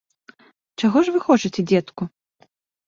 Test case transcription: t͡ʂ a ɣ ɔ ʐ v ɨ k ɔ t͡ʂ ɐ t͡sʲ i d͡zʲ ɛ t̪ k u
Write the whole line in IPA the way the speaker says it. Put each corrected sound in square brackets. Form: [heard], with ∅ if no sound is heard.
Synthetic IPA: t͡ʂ a ɣ ɔ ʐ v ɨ [x] ɔ t͡ʂ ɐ t͡sʲ [ɛ] d͡zʲ ɛ t̪ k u